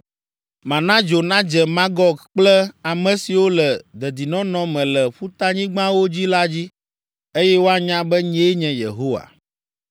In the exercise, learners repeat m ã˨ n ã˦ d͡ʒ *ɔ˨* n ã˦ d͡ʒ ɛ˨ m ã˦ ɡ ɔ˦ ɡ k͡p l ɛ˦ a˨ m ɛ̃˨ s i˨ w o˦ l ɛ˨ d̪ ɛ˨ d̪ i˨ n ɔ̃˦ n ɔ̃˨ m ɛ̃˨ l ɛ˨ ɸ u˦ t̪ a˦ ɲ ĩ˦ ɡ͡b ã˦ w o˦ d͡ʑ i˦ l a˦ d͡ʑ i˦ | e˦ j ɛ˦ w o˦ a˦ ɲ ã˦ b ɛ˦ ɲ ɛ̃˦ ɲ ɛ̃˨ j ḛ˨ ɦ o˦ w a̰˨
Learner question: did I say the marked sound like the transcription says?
no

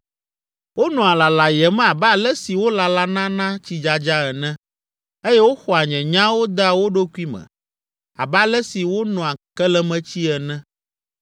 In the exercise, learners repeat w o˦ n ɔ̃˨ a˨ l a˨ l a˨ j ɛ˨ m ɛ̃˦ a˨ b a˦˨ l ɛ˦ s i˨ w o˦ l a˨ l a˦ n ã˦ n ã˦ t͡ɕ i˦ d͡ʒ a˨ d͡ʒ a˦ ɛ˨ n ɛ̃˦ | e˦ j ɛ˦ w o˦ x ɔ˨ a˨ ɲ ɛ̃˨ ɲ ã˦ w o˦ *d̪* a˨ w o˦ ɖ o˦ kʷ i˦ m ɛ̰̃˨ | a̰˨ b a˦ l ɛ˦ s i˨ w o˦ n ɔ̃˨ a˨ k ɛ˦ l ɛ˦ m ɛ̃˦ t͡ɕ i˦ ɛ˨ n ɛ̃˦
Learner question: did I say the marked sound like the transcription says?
yes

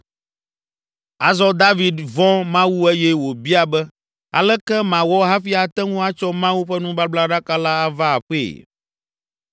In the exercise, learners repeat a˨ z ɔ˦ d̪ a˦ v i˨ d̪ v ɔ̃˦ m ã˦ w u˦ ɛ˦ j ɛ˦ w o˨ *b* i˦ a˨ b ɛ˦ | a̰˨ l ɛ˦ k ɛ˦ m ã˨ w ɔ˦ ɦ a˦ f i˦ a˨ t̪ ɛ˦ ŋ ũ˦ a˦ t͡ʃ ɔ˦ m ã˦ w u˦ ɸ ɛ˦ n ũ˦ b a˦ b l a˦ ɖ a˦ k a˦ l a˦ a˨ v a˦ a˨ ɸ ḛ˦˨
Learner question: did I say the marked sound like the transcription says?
yes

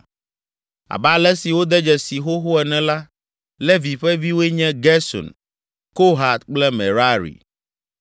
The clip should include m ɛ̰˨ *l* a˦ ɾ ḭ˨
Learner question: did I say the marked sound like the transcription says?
no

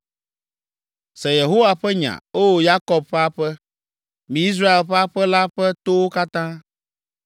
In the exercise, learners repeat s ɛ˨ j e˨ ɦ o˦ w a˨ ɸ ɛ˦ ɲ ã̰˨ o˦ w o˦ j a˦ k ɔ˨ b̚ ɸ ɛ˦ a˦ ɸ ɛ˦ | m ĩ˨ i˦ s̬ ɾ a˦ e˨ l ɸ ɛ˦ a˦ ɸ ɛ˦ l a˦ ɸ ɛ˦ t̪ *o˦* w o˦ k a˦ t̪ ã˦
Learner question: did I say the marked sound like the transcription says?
yes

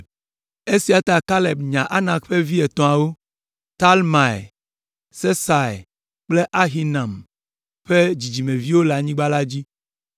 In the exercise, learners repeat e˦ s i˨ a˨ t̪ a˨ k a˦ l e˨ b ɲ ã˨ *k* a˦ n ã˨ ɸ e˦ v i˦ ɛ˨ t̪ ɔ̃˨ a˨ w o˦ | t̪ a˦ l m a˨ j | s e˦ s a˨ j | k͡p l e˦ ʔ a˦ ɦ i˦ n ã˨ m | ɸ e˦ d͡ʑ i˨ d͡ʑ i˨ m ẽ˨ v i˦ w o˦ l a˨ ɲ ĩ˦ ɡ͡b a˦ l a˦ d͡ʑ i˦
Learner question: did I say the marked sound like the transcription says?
no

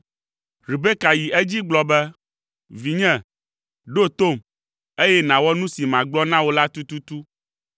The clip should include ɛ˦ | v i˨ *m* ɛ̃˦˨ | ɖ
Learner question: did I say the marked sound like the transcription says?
no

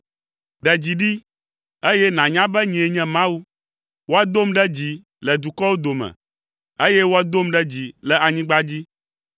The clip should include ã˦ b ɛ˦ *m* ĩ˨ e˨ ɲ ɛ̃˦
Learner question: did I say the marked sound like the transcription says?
no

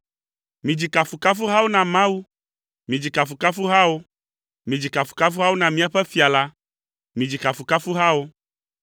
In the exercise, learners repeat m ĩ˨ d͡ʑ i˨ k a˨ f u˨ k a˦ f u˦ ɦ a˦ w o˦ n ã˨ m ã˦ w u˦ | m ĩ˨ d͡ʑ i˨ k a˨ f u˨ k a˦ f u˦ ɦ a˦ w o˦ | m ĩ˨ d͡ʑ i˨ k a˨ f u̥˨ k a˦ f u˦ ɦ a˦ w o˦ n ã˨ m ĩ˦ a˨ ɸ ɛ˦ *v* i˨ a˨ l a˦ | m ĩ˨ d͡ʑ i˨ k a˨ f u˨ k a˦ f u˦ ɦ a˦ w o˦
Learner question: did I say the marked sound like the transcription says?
no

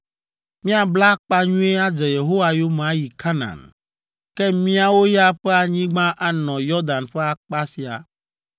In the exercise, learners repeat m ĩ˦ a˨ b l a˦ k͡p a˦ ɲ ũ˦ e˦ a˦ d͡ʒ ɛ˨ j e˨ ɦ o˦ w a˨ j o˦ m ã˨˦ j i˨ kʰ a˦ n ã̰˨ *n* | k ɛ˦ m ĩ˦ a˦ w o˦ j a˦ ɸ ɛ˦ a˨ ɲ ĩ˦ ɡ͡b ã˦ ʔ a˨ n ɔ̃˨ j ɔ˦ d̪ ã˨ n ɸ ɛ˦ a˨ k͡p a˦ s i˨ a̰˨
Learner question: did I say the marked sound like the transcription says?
yes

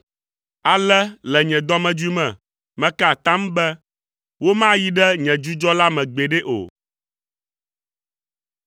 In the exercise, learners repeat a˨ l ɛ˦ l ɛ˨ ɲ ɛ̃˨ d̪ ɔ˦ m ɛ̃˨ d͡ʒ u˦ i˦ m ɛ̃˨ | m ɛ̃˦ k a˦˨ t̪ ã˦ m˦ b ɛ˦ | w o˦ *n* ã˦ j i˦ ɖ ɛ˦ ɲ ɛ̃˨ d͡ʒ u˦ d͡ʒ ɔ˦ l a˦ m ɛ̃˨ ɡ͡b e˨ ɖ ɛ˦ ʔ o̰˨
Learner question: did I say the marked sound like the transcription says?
no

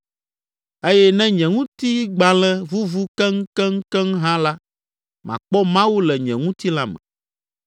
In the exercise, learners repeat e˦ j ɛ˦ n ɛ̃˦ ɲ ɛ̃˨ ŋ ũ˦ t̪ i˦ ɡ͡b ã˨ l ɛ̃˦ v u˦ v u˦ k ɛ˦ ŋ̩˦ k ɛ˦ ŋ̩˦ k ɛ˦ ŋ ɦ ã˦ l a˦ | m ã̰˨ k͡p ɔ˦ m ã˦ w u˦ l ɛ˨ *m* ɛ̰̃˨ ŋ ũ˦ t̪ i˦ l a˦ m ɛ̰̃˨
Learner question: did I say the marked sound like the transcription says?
no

